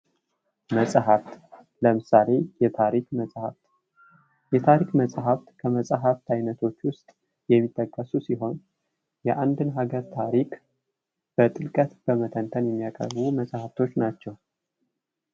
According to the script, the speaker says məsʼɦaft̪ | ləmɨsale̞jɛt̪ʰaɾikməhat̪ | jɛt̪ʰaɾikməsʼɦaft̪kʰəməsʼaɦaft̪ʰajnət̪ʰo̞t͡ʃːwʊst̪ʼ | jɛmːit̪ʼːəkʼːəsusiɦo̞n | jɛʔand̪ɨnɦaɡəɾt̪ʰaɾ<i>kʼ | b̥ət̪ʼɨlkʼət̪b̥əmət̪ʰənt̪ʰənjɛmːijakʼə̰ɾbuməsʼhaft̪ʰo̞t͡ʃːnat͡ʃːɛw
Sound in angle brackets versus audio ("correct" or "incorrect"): correct